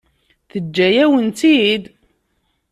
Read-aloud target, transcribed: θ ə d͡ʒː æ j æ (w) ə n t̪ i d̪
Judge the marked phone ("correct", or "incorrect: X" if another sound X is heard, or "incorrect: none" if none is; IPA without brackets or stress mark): correct